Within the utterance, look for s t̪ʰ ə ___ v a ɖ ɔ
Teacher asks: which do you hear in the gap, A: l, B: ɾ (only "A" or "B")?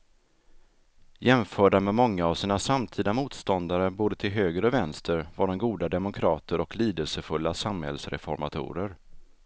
B